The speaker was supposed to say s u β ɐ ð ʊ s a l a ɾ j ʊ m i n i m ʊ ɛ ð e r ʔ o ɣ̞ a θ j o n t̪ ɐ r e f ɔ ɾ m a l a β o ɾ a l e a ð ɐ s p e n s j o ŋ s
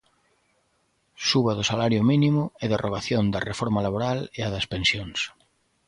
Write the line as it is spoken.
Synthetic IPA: s u β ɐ ð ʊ s a l a ɾ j ʊ m i n i m ʊ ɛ ð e r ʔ o ɣ̞ a θ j o n d̪ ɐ r e f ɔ ɾ m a l a β o ɾ a l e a ð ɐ s p e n s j o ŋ s